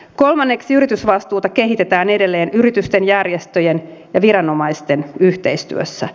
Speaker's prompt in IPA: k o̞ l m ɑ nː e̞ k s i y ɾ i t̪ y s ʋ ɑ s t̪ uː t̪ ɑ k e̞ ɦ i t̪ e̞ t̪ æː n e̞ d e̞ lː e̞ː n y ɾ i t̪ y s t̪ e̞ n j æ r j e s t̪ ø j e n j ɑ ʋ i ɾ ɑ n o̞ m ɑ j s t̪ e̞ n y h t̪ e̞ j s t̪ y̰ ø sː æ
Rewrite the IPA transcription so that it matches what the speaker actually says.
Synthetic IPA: k o̞ l m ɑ nː e̞ k s i y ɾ i t̪ y s ʋ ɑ s t̪ uː t̪ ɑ k e̞ ɦ i t̪ e̞ t̪ æː n e̞ d e̞ lː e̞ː n y ɾ i t̪ y s t̪ e̞ n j æ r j e s t̪ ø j e n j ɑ ʋ i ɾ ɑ n o̞ m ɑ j s t̪ e̞ n y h t̪ e̞ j s t̪ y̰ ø sː æ